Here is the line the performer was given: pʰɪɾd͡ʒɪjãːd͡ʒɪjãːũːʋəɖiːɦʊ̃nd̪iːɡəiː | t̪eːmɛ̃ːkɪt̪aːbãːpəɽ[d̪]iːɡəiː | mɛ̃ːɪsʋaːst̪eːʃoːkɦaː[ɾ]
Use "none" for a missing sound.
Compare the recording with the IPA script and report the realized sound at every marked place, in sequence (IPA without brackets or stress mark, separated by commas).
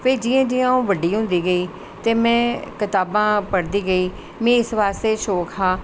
d̪, none